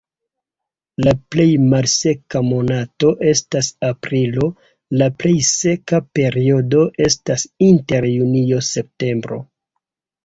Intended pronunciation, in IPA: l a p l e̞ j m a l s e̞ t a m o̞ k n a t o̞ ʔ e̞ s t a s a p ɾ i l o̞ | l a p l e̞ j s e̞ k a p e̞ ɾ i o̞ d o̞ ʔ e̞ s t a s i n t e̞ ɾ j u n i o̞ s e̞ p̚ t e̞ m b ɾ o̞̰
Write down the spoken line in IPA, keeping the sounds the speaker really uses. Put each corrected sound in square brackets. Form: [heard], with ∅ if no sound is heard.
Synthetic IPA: l a p l e̞ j m a l s e̞ [k] a m o̞ [∅] n a t o̞ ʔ e̞ s t a s a p ɾ i l o̞ | l a p l e̞ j s e̞ k a p e̞ ɾ i o̞ d o̞ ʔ e̞ s t a s i n t e̞ ɾ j u n i o̞ s e̞ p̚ t e̞ m b ɾ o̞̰